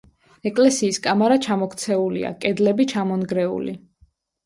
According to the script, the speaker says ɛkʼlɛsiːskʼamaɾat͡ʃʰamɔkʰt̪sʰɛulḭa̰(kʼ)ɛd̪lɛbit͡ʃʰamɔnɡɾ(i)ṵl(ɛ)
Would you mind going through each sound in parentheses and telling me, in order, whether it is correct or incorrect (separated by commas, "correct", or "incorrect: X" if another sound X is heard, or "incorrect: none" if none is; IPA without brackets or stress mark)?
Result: correct, incorrect: ɛ, incorrect: i